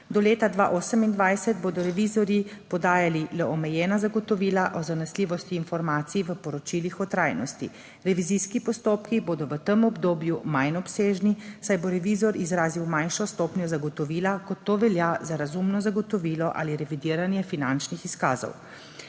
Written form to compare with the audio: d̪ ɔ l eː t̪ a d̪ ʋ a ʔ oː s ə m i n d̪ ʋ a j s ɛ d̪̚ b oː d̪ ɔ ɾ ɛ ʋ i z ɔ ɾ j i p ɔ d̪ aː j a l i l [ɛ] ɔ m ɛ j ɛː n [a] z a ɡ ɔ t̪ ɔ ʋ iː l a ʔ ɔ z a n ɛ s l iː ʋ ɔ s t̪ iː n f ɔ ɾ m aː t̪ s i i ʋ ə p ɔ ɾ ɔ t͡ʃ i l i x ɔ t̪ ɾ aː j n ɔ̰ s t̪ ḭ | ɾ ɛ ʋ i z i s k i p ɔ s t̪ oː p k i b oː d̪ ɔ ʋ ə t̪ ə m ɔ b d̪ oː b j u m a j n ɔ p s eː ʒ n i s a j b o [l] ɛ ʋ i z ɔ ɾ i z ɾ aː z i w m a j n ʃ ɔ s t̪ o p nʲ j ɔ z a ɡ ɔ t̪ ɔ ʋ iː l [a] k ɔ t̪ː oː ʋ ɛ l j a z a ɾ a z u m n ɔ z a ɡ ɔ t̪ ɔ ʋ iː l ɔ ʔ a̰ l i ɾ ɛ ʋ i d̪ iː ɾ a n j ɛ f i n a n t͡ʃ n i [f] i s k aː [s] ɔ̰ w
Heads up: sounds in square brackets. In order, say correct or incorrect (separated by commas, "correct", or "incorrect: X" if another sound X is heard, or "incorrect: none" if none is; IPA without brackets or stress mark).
correct, correct, incorrect: ɾ, correct, incorrect: x, incorrect: z